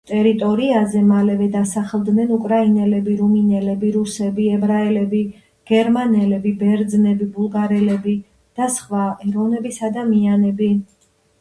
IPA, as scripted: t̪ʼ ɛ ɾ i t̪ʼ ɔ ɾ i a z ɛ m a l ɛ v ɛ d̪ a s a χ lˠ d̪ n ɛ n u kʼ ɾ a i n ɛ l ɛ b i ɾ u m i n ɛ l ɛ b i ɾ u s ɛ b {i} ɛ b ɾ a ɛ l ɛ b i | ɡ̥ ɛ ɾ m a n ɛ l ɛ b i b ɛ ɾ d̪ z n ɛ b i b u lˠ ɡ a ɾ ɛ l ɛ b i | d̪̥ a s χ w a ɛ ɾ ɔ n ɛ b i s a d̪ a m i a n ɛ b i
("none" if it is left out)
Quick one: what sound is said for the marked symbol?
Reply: i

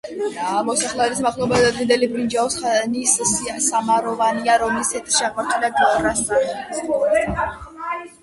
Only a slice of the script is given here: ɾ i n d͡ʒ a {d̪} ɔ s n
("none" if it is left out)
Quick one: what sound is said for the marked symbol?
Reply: none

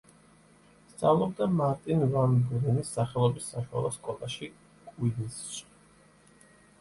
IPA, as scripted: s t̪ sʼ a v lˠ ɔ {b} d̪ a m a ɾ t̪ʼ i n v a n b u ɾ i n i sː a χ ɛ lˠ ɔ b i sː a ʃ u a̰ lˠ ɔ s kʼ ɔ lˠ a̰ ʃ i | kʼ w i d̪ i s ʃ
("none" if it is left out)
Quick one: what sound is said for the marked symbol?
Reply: b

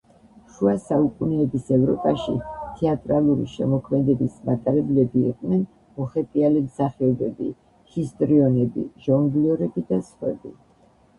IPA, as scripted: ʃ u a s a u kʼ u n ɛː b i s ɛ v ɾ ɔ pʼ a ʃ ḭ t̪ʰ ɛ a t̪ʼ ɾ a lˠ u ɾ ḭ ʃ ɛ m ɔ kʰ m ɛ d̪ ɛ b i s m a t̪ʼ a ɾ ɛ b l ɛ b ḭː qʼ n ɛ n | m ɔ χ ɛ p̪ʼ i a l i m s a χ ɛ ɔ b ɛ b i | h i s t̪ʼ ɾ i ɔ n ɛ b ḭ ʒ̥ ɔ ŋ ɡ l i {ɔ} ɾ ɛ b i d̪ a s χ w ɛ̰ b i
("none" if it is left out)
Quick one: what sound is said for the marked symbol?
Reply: ɔ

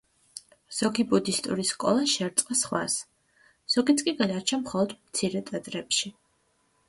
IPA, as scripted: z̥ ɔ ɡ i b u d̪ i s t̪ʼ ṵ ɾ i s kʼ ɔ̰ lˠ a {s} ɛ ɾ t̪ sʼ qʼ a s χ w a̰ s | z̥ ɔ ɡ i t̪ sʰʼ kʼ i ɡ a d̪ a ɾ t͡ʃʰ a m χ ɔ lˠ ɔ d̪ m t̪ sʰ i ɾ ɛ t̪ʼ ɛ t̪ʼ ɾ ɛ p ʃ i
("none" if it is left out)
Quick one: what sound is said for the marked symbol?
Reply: ʃ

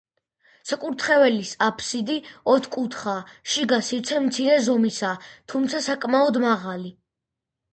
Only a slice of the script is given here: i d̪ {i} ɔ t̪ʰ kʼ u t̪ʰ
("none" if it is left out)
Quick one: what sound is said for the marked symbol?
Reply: i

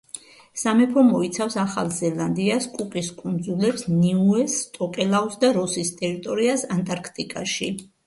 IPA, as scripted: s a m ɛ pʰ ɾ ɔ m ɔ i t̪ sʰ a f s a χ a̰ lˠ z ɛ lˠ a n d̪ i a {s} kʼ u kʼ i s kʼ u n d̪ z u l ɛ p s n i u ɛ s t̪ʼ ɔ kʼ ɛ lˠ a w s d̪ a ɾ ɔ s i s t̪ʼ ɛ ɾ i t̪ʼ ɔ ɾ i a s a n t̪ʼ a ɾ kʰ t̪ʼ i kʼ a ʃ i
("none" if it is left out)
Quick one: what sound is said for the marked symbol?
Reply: s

